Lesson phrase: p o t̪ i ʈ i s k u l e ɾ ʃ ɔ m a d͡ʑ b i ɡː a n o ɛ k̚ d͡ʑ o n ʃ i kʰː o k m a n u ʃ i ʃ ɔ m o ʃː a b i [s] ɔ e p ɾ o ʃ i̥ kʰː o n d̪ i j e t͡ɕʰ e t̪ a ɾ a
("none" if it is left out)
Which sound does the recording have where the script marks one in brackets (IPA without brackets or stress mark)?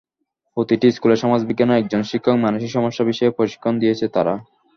ʃ